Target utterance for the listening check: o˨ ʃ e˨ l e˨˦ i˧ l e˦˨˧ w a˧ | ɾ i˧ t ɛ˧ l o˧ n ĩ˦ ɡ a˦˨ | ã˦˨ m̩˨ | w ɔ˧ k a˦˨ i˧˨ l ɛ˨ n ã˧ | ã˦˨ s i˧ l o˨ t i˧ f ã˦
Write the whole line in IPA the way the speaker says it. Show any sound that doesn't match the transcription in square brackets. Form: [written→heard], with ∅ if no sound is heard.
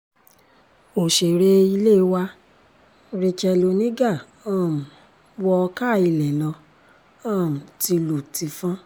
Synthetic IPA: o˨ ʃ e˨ [l→ɾ] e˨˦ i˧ l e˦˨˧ w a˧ | ɾ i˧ [t→t͡ʃ] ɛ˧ l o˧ n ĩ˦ ɡ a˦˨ | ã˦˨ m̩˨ | w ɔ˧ k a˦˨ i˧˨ l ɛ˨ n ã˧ | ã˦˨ [s→t] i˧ l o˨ t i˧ f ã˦